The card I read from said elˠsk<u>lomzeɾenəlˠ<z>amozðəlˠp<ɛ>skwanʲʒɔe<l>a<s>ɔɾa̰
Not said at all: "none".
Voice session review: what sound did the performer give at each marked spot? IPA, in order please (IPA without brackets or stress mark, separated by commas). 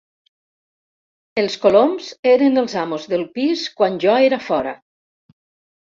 o, z, i, ɾ, f